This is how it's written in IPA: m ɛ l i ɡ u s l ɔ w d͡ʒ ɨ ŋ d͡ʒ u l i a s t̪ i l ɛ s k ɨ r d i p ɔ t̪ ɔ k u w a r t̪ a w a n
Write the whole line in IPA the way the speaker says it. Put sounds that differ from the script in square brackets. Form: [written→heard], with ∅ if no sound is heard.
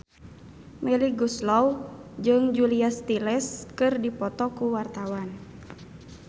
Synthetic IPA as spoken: m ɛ l i ɡ u s l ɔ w d͡ʒ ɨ ŋ d͡ʒ u l i a s t̪ i l ɛ s k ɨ r d i p ɔ t̪ ɔ k u w a r t̪ a w a n